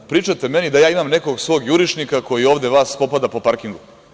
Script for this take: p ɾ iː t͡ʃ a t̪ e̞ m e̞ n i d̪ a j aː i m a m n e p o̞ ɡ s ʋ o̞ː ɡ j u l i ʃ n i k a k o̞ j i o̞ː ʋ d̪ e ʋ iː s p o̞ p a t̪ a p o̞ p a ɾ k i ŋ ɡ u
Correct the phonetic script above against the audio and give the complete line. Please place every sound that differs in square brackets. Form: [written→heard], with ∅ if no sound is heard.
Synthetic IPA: p ɾ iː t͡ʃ a t̪ e̞ m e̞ n i d̪ a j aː i m a m n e [p→k] o̞ ɡ s ʋ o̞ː ɡ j u [l→ɾ] i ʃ n i k a k o̞ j i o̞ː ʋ d̪ e ʋ [iː→aː] s p o̞ p a [t̪→d̪] a p o̞ p a ɾ k i ŋ ɡ u